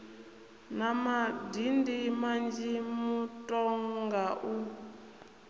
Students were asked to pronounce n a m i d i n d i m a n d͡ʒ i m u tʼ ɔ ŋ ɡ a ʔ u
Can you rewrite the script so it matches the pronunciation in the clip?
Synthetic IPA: n a m a d i n d i m a n d͡ʒ i m u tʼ ɔ ŋ ɡ a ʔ u